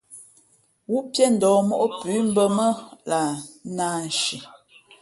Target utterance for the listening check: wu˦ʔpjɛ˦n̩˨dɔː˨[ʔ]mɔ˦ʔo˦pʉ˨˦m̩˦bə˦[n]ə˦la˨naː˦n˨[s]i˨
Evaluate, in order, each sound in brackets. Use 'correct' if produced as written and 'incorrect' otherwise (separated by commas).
incorrect, incorrect, incorrect